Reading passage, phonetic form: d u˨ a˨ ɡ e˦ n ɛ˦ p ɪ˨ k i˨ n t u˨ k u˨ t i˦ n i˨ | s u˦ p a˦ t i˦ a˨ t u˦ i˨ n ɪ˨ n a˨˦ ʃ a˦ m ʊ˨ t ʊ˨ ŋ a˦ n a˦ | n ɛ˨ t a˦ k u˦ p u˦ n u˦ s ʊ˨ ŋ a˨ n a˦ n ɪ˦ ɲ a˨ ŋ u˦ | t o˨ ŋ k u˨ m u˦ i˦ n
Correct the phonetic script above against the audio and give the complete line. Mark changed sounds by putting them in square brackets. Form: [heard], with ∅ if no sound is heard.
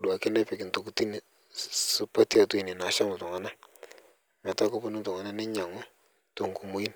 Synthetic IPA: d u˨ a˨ [k] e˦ n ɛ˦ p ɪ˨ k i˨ n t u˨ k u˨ t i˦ n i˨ | s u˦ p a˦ t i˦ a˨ t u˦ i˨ n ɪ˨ n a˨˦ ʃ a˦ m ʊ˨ t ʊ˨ ŋ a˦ n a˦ | [m] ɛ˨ t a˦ k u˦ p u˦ n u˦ [t] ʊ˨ ŋ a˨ n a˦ n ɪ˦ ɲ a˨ ŋ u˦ | t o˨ ŋ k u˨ m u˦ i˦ n